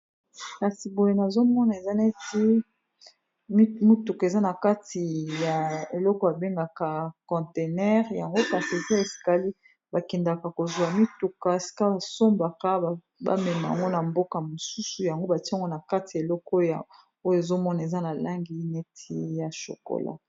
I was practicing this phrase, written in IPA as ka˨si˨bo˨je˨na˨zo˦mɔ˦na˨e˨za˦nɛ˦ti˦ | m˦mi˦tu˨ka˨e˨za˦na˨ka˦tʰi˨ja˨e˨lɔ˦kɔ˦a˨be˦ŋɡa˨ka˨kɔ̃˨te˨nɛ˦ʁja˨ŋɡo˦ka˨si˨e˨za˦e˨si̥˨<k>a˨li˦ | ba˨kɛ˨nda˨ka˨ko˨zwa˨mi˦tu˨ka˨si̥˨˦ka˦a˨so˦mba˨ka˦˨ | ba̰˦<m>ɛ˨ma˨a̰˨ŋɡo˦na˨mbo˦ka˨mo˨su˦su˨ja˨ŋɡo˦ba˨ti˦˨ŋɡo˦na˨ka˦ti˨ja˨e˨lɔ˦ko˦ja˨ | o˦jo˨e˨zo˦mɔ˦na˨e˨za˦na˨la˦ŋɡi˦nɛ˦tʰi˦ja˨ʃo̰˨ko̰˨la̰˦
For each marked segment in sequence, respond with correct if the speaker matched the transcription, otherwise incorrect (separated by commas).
correct, correct